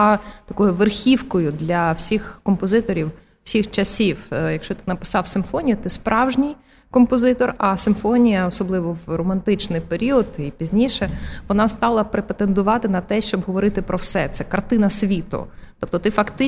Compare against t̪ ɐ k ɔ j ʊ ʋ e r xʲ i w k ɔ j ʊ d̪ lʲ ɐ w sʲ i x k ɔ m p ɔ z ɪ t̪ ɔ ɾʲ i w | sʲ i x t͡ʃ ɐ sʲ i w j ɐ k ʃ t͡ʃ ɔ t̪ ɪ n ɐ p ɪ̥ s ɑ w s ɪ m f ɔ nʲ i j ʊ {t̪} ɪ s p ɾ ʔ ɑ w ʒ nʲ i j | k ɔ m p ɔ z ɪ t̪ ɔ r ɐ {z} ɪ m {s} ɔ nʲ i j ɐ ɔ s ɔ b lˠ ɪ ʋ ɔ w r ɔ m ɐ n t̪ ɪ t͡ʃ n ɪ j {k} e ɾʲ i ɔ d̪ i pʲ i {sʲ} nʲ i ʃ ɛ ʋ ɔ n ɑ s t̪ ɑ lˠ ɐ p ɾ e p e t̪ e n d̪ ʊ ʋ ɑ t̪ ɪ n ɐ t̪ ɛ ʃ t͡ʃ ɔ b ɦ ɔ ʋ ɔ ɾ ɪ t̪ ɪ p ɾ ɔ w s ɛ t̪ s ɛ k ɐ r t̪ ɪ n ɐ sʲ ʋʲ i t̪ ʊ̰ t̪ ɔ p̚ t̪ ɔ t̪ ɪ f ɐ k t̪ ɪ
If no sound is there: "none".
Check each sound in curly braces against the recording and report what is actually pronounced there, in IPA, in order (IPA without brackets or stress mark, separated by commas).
t̪, s, f, p, zʲ